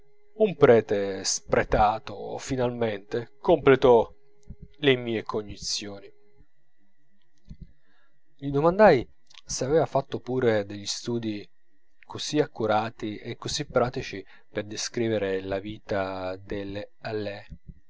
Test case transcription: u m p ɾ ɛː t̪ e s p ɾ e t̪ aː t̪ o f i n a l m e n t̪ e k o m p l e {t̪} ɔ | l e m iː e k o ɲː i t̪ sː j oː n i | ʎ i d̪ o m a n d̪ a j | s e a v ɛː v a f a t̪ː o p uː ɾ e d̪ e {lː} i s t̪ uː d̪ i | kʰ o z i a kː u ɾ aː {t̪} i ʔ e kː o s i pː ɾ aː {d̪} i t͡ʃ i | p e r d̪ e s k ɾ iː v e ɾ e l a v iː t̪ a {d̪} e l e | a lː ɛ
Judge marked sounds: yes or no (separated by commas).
yes, no, yes, no, yes